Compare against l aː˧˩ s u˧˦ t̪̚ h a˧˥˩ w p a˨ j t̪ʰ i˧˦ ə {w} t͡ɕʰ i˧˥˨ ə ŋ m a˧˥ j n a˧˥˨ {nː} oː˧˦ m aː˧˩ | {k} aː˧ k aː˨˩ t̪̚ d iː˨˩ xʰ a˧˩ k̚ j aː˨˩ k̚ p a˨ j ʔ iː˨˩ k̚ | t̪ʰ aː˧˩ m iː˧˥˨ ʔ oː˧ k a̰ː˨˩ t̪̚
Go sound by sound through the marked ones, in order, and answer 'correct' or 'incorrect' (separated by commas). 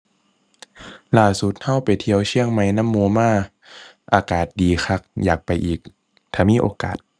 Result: correct, incorrect, incorrect